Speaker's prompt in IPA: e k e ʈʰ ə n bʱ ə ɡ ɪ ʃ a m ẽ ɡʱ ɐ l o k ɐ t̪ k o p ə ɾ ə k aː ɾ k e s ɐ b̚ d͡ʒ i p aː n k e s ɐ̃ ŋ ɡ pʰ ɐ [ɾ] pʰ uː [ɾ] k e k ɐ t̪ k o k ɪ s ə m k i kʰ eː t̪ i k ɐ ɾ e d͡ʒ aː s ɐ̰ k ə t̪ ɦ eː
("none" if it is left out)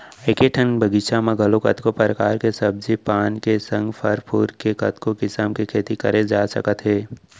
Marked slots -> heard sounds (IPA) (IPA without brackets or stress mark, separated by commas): ɾ, ɾ